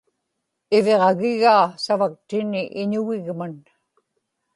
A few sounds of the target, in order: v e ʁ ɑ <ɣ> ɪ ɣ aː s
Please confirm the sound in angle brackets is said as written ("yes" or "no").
yes